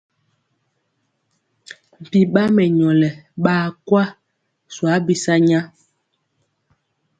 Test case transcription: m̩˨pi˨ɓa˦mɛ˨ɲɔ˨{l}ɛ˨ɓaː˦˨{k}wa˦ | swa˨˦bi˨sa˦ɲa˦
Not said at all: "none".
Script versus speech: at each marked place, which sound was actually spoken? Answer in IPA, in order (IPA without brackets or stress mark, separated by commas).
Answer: l, k